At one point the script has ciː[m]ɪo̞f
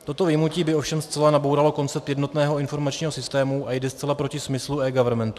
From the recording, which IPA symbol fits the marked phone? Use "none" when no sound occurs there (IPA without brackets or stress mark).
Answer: b